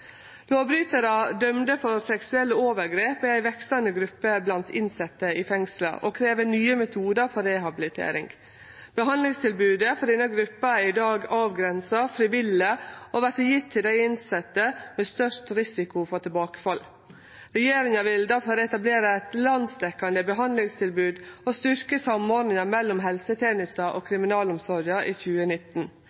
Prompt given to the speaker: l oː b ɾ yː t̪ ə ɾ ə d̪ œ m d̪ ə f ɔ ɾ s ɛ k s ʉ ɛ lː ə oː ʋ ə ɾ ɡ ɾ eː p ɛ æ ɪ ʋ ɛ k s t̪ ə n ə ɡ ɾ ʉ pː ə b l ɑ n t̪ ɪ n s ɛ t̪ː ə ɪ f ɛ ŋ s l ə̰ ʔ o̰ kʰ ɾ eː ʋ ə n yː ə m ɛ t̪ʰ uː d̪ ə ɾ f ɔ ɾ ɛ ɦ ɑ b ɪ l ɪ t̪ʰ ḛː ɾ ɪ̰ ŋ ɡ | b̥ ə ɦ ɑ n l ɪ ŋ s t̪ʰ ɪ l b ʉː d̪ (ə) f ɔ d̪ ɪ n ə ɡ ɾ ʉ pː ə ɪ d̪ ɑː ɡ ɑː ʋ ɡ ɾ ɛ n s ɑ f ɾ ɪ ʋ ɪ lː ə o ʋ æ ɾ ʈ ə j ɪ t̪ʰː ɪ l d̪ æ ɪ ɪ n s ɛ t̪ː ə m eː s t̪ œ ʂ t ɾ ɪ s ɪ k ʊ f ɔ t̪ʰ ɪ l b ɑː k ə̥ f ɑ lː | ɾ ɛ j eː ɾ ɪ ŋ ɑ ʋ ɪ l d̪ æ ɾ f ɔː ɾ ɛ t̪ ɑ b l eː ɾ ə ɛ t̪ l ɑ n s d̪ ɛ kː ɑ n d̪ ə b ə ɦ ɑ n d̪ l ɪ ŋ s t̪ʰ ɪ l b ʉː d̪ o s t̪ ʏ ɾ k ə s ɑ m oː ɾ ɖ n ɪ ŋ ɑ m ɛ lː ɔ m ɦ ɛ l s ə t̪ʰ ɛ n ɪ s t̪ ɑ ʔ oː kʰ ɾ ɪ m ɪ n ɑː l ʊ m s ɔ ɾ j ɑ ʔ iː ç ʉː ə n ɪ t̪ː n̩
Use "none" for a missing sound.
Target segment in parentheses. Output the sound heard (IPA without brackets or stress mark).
ə